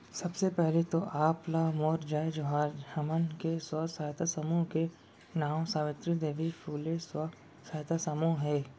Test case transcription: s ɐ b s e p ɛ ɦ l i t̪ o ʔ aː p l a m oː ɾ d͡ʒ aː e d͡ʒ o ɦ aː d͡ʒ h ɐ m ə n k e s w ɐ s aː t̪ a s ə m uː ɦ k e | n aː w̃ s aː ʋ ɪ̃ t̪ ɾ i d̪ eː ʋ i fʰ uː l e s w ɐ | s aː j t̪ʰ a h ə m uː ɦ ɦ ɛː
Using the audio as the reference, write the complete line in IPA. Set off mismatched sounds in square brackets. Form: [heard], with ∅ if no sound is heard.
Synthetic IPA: s ɐ b s e p ɛ ɦ l [e] t̪ o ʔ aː p l a m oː ɾ d͡ʒ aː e d͡ʒ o ɦ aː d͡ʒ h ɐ m ə n k e s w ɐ s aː t̪ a s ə m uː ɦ k e | n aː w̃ s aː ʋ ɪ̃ t̪ ɾ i d̪ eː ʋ i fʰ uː l e s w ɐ | s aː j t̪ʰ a [s] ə m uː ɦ ɦ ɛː